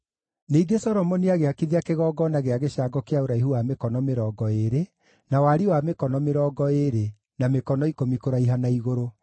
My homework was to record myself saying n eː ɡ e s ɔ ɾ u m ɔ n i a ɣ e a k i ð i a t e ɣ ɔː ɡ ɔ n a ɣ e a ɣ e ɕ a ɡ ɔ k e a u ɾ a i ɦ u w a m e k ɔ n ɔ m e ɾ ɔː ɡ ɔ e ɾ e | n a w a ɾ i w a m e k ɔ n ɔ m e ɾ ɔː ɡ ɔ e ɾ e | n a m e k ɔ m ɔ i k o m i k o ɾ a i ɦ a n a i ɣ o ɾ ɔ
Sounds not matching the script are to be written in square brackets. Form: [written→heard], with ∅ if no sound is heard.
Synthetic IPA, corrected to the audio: n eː ɡ e s ɔ ɾ [u→ɔ] m ɔ n i a ɣ e a k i ð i a [t→k] e ɣ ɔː ɡ ɔ n a ɣ e a ɣ e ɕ a ɡ ɔ k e a [u→o] ɾ a i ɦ u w a m e k ɔ n ɔ m e ɾ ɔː ɡ ɔ e ɾ e | n a w a ɾ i w a m e k ɔ n ɔ m e ɾ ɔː ɡ ɔ e ɾ e | n a m e k ɔ [m→n] ɔ i k o m i k o ɾ a i ɦ a n a i ɣ o ɾ [ɔ→o]